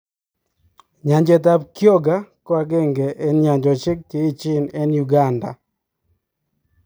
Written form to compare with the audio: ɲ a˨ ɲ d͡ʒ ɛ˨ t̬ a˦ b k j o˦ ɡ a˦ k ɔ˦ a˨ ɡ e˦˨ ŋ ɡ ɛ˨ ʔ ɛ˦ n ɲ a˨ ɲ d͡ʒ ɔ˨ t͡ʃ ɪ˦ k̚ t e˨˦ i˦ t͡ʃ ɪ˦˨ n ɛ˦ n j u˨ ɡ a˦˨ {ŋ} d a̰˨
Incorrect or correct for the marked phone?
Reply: incorrect: n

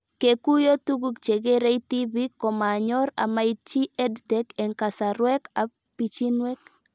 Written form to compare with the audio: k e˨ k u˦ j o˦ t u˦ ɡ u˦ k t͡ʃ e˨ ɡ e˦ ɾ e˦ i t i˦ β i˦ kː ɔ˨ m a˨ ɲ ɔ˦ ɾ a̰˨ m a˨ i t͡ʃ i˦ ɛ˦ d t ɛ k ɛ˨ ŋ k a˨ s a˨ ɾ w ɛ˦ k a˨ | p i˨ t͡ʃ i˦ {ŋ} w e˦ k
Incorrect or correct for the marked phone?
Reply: incorrect: n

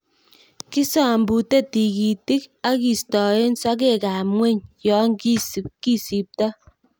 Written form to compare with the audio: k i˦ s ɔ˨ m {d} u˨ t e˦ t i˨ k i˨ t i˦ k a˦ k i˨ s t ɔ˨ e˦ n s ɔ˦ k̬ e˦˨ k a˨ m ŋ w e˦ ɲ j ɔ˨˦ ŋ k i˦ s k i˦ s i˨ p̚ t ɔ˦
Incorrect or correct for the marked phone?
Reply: incorrect: b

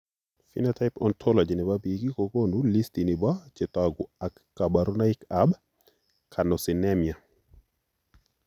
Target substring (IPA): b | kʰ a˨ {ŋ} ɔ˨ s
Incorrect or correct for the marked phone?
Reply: incorrect: n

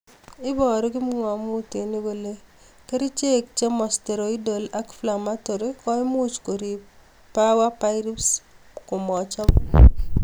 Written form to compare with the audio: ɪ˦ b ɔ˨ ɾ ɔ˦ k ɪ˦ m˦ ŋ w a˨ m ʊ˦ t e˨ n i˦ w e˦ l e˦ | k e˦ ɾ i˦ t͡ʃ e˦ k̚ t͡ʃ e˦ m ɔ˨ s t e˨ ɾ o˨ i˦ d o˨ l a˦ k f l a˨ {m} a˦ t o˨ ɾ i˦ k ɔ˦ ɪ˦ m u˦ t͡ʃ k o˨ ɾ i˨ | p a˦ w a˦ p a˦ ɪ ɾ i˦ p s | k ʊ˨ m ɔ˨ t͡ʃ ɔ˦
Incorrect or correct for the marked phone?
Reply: correct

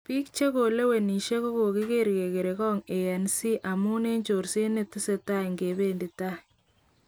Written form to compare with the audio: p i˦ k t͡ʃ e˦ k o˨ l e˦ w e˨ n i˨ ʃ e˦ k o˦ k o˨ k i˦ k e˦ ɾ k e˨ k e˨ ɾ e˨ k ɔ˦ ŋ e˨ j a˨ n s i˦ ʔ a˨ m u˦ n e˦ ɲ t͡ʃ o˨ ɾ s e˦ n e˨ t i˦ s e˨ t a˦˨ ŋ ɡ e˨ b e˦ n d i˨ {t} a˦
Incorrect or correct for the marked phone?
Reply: correct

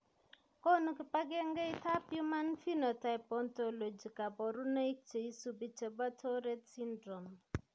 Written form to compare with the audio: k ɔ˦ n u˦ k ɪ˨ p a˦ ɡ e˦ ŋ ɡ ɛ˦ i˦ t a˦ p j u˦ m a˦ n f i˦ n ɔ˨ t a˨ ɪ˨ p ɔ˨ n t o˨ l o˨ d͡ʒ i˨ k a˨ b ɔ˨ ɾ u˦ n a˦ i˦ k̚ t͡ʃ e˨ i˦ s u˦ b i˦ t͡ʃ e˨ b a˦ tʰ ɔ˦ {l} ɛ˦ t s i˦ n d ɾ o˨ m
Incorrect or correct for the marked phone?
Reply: incorrect: ɾ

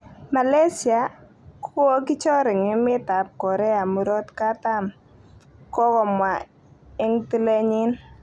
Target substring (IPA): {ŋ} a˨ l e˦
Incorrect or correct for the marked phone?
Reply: incorrect: m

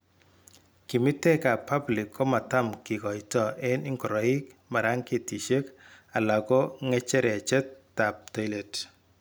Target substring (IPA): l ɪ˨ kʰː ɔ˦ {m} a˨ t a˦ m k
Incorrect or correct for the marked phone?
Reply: correct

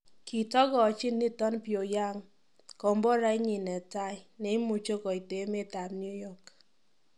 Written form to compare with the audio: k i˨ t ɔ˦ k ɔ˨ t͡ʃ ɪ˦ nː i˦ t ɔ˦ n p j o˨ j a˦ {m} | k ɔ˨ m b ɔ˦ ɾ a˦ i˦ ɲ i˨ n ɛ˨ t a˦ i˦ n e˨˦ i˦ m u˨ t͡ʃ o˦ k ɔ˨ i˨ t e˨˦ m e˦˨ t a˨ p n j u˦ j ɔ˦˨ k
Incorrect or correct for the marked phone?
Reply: incorrect: ŋ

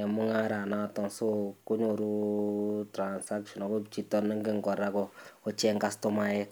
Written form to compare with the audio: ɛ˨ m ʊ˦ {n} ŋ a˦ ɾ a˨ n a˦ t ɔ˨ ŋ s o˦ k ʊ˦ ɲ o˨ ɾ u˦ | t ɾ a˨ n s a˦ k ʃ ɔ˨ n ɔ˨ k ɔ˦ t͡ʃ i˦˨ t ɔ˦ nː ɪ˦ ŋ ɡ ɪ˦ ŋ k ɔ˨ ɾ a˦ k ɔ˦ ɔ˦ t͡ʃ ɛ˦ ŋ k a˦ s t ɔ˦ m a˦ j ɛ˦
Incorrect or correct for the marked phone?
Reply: incorrect: none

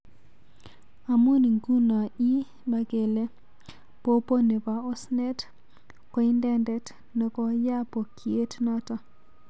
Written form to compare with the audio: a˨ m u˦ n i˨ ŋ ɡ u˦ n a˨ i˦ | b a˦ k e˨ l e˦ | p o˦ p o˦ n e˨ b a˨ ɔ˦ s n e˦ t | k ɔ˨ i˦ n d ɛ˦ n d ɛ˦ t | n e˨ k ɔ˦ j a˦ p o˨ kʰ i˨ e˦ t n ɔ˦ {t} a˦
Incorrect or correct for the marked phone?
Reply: correct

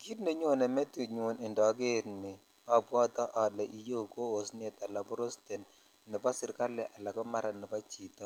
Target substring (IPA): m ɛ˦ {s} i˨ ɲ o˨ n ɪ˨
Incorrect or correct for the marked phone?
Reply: incorrect: t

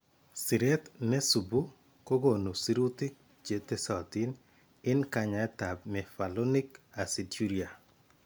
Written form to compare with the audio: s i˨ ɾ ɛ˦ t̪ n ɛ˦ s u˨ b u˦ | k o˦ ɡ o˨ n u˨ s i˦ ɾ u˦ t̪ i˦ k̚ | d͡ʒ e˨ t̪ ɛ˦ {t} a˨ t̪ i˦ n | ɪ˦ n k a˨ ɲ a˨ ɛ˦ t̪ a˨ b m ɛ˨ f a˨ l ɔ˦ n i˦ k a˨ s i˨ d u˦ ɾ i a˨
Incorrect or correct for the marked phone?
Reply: incorrect: s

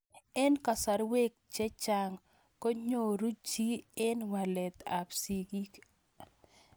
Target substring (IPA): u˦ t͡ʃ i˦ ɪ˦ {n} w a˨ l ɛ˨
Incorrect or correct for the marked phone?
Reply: correct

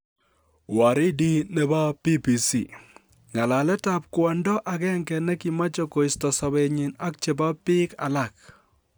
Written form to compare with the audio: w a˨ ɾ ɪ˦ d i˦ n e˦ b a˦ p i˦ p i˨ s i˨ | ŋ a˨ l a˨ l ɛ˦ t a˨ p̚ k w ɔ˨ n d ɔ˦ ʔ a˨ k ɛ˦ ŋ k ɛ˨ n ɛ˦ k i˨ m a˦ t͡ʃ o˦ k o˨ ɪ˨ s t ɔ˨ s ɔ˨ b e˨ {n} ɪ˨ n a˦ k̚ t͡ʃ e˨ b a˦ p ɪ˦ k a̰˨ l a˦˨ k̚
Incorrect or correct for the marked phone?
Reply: incorrect: ɲ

